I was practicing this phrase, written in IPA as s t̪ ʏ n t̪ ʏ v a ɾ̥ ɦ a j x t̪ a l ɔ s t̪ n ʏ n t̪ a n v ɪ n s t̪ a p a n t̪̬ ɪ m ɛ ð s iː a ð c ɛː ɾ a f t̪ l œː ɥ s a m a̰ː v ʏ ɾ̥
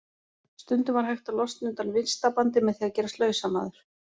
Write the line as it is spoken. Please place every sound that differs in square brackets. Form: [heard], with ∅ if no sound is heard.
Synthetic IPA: s t̪ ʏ n t̪ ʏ v a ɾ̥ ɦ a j x t̪ a l ɔ s t̪ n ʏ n t̪ a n v ɪ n s t̪ a p a n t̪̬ ɪ m ɛ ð [θ] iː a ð c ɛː ɾ a [s] t̪ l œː ɥ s a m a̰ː [ð] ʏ ɾ̥